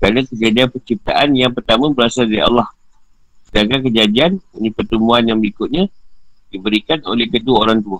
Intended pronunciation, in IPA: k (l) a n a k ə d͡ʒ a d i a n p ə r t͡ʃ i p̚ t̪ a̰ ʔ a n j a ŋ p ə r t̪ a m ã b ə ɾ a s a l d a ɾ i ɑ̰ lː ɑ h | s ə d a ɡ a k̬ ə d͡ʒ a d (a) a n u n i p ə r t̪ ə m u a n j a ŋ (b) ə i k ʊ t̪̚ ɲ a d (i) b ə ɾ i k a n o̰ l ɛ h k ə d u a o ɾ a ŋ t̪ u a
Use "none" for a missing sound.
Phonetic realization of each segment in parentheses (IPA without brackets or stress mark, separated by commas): ɾ, i, b, i